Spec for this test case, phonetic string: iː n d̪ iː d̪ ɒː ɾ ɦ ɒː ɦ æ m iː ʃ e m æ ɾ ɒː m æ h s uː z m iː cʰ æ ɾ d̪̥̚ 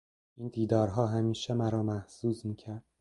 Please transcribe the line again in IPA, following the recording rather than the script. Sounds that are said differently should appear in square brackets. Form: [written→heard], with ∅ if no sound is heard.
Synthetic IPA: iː n d̪ iː d̪ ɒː ɾ ɦ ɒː ɦ æ m iː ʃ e m æ ɾ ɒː m æ h s uː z m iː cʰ æ ɾ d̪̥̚